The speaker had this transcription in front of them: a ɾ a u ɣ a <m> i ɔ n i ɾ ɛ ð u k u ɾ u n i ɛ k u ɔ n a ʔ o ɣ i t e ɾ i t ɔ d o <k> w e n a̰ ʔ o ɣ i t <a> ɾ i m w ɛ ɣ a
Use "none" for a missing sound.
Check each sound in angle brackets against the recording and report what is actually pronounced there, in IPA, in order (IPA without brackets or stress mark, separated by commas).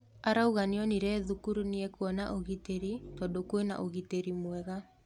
n, k, e